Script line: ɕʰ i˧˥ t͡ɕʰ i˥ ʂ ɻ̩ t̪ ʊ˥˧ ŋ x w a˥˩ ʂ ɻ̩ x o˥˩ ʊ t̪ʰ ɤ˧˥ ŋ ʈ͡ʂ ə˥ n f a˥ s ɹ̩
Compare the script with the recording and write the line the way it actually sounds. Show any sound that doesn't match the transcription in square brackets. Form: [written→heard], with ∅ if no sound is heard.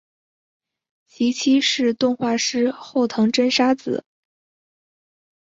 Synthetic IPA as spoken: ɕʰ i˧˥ t͡ɕʰ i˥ ʂ ɻ̩ t̪ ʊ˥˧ ŋ x w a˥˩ ʂ ɻ̩ x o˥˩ ʊ t̪ʰ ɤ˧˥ ŋ ʈ͡ʂ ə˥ n [f→ʂ] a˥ [s→t͡s] ɹ̩